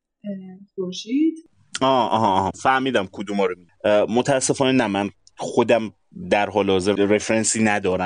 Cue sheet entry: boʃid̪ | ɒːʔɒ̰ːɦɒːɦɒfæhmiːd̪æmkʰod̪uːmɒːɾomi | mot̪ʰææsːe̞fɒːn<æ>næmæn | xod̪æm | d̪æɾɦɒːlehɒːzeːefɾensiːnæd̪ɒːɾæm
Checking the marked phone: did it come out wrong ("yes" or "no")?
yes